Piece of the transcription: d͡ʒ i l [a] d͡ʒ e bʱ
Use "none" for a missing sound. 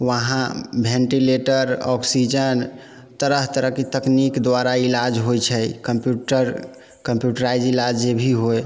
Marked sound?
a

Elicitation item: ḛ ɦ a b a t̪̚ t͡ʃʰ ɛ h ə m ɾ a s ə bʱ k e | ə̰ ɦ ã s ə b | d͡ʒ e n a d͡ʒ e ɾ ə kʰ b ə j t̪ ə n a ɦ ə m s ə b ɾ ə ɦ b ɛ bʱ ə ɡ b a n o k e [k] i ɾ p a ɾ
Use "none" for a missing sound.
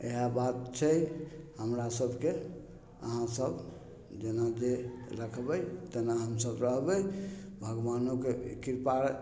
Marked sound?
k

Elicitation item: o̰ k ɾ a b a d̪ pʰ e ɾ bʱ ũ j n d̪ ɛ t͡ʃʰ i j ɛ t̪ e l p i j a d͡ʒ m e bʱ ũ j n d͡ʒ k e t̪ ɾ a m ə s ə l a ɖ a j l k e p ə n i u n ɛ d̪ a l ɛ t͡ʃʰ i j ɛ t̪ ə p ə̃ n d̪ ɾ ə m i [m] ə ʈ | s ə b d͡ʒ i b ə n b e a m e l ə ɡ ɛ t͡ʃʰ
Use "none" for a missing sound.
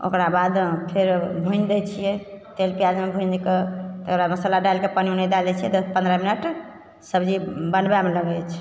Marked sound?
n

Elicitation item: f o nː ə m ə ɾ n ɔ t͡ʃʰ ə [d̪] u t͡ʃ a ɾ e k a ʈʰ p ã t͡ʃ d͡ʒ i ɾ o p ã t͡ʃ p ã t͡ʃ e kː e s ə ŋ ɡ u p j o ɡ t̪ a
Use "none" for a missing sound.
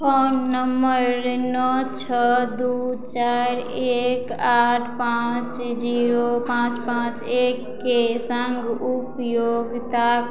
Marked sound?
d̪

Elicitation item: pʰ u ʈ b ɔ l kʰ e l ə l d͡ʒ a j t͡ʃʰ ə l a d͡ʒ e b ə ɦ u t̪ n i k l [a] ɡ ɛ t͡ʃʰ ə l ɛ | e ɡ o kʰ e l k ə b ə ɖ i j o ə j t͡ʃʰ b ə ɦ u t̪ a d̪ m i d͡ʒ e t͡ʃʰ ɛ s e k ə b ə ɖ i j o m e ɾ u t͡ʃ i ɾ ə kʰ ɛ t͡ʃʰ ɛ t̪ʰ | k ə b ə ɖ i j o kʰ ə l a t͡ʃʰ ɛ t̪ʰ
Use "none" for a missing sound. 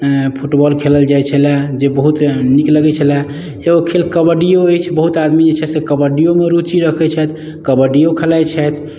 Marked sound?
ə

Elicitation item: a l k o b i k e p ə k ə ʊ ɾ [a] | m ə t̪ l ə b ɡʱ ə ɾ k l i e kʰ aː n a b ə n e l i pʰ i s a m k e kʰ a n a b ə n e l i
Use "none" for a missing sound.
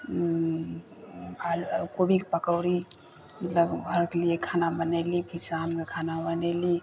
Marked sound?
i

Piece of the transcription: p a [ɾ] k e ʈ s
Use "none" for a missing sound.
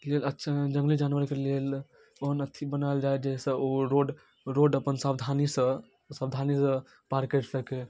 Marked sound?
ɾ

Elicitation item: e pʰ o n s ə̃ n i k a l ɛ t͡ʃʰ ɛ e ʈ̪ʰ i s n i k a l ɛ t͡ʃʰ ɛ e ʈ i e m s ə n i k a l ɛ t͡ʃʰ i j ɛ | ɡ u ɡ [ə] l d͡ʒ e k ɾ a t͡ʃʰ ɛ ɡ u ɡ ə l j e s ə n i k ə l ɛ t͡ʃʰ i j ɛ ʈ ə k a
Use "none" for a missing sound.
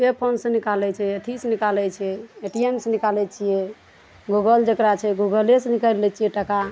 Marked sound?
ə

